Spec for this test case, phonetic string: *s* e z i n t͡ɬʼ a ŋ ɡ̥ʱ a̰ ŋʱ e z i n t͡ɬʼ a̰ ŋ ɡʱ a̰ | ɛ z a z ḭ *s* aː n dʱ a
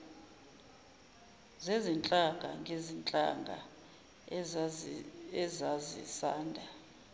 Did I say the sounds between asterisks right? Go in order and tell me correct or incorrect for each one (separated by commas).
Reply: incorrect, correct